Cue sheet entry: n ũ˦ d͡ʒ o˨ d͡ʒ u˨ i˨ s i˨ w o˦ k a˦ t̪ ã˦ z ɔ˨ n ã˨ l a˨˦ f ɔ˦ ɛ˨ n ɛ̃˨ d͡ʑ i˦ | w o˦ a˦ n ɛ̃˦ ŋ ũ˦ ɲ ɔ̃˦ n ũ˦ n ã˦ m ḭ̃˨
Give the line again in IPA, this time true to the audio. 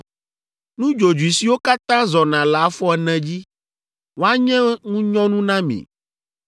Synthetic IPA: n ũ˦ d͡ʒ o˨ d͡ʒ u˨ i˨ s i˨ w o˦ k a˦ t̪ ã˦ z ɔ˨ n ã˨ l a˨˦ f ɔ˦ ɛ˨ n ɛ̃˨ d͡ʑ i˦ | w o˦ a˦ ɲ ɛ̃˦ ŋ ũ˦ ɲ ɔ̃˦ n ũ˦ n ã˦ m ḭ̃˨